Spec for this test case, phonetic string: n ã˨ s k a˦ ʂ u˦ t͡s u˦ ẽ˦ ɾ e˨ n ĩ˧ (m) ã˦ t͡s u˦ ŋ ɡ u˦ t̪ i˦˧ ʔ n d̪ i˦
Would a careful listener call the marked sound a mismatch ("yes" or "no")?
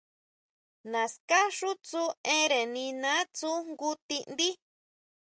yes